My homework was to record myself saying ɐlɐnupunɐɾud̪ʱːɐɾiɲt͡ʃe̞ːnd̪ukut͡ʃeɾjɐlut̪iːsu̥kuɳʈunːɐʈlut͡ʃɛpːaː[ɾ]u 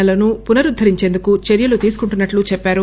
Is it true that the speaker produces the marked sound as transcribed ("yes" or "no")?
yes